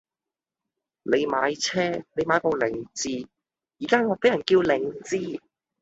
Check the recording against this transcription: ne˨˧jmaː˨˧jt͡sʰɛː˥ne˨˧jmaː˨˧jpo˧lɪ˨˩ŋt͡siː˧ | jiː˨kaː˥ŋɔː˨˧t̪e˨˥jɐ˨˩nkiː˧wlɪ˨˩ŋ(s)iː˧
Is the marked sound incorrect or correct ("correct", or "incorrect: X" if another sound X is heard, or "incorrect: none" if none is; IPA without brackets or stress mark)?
incorrect: t͡s